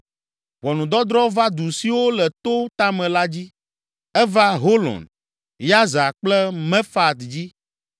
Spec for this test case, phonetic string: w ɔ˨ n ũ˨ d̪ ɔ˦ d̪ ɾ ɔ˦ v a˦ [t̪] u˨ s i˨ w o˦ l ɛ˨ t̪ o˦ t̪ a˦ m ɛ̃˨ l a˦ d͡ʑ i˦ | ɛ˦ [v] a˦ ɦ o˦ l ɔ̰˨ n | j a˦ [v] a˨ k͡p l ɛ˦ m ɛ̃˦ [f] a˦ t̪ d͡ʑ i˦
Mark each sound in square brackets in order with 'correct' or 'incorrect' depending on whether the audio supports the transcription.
incorrect, correct, incorrect, correct

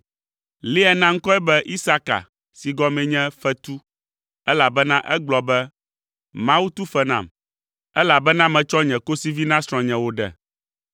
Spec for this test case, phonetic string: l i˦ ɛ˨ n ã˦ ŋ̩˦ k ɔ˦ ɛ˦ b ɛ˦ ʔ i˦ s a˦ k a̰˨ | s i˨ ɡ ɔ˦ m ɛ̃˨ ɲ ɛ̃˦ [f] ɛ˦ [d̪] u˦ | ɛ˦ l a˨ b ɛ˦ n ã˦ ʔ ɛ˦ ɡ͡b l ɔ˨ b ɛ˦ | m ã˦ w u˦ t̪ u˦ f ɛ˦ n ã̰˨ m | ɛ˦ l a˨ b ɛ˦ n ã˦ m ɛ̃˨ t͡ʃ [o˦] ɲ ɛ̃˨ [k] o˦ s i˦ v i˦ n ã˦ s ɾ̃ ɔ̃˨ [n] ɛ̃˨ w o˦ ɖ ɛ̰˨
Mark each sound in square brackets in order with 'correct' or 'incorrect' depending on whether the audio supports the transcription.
correct, incorrect, incorrect, correct, incorrect

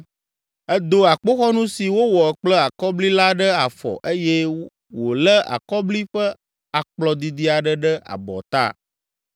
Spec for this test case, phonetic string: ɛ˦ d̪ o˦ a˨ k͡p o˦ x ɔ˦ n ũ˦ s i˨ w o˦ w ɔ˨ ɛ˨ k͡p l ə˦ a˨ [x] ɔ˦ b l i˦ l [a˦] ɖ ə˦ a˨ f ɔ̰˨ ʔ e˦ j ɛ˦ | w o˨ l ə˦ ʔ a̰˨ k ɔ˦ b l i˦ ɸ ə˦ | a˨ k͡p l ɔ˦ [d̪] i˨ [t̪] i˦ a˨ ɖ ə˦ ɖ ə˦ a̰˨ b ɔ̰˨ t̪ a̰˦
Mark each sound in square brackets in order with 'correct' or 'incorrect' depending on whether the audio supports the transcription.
incorrect, correct, correct, incorrect

